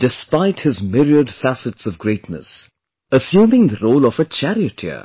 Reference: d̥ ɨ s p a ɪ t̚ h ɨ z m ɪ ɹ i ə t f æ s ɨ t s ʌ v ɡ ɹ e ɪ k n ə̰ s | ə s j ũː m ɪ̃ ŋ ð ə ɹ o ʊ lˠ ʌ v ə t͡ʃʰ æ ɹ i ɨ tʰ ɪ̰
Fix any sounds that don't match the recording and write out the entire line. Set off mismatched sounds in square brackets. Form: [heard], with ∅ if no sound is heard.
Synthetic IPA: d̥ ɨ s p a ɪ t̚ h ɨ z m ɪ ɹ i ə [d] f æ s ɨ t s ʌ v ɡ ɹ e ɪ [t] n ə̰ s | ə s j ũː m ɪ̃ ŋ ð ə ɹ o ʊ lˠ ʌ v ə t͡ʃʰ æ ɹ i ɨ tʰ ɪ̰